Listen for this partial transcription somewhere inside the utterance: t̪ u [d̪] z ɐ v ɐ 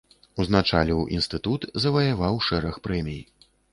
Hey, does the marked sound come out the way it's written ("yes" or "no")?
no